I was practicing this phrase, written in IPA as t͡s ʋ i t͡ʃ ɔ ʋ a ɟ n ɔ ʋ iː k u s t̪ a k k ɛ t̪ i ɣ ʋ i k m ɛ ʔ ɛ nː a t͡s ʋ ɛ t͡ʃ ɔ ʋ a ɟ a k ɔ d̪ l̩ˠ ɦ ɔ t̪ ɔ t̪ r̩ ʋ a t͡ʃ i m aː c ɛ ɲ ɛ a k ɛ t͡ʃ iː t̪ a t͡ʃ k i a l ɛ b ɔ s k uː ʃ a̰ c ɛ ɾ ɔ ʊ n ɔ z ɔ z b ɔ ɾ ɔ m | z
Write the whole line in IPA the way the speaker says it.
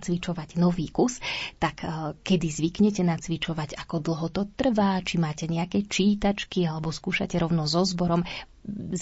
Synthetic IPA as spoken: t͡s ʋ i t͡ʃ ɔ ʋ a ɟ n ɔ ʋ iː k u s t̪ a k k ɛ d̪ i z ʋ i k ɲ ɛ c ɛ n a t͡s ʋ i t͡ʃ ɔ ʋ a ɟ a k ɔ d̪ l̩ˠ ɦ ɔ t̪ ɔ t̪ r̩ ʋ a t͡ʃ i m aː c ɛ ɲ ɛ a k ɛ t͡ʃ iː t̪ a t͡ʃ k i a l ɛ b ɔ s k uː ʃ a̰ c ɛ ɾ ɔ ʊ n ɔ z ɔ z b ɔ ɾ ɔ m | z